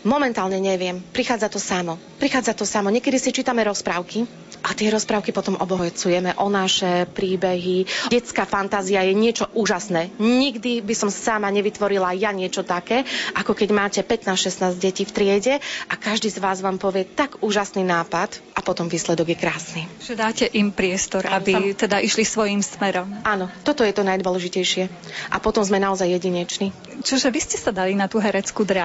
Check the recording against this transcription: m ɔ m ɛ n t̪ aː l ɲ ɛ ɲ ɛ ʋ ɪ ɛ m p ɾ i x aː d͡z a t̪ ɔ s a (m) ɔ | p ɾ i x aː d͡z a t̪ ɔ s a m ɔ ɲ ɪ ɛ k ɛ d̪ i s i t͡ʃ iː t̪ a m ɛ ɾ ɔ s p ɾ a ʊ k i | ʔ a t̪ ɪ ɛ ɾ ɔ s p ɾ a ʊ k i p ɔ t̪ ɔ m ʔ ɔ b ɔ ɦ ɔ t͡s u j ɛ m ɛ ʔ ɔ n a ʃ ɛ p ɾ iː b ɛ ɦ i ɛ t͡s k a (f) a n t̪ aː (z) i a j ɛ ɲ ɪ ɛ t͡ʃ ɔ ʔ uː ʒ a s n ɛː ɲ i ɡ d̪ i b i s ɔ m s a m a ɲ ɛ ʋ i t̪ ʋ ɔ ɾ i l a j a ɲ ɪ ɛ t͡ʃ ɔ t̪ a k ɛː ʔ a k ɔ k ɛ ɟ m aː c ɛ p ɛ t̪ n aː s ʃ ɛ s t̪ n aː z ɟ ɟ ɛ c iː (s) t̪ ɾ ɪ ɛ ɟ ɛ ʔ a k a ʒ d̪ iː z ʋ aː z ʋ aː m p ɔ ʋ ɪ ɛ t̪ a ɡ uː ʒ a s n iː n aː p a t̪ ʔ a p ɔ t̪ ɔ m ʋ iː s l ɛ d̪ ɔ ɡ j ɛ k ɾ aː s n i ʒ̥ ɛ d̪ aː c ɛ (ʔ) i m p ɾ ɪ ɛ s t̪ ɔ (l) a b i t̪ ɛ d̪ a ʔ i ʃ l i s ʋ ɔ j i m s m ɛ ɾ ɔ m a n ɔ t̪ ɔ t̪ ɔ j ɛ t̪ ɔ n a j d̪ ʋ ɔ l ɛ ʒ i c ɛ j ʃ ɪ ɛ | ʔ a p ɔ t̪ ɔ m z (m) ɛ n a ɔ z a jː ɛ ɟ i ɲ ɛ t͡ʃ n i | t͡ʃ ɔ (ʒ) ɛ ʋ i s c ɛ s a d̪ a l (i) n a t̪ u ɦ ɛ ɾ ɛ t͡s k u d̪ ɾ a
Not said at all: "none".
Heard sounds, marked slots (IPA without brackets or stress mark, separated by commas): m, f, z, f, ʔ, ɾ, m, ʒ, i